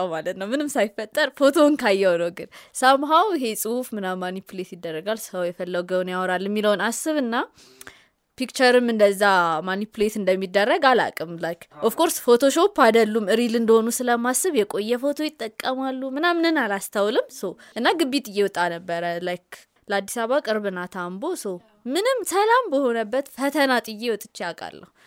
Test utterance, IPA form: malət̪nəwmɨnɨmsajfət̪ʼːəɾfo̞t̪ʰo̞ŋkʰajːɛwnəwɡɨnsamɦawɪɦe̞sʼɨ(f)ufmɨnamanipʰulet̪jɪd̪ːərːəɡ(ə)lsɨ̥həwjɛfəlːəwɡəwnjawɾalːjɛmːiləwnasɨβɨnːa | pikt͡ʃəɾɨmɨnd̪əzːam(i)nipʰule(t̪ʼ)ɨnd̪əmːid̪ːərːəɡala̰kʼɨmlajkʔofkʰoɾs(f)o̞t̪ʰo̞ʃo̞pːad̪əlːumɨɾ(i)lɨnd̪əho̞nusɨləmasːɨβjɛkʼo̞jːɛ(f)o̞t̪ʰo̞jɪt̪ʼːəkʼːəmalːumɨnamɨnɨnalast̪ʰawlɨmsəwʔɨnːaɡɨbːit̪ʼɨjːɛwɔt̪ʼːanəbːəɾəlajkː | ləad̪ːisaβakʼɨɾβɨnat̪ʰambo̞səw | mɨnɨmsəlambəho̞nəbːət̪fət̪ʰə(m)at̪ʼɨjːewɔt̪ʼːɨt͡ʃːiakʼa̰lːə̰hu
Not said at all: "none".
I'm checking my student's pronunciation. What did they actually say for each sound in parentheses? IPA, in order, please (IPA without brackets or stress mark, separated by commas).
h, a, a, t̪, f, i, f, n